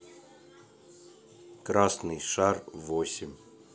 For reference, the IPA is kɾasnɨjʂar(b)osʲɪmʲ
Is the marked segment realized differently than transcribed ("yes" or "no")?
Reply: yes